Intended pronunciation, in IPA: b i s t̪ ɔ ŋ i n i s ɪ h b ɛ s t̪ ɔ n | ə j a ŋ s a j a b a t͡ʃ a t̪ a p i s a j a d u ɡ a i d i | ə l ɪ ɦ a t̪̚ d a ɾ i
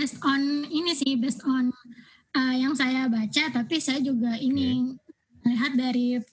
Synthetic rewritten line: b ɛ s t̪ ɔ n i n i s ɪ h b ɛ s t̪ ɔ n | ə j a ŋ s a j a b a t͡ʃ a t̪ a p i s a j a d͡ʒ u ɡ a i n i | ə l i ɦ a t̪̚ d a ɾ i